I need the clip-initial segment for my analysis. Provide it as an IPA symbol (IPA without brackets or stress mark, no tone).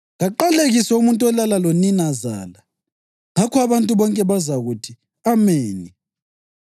ɣ